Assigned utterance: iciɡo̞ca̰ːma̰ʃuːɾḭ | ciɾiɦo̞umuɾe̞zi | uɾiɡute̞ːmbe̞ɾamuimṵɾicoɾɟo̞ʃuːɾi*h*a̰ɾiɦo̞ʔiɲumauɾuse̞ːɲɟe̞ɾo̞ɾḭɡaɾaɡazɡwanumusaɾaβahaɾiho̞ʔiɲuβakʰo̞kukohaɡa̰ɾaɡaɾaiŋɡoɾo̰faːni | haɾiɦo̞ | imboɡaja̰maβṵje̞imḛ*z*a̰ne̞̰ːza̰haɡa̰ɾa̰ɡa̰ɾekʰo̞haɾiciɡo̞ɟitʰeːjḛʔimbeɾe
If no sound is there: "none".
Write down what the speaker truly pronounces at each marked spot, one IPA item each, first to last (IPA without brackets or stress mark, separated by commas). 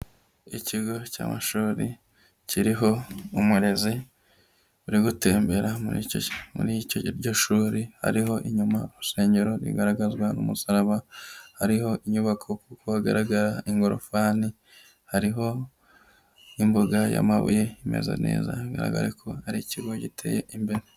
h, z